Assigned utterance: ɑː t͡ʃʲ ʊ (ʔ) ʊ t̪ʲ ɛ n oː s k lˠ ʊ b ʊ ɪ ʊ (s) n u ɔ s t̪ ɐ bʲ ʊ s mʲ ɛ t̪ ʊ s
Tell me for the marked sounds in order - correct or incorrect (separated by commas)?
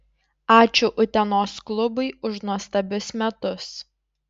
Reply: correct, incorrect